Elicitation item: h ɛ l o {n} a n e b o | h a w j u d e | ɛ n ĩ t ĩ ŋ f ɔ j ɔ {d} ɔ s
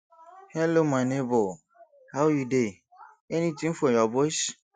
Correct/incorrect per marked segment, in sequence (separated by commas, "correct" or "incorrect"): incorrect, incorrect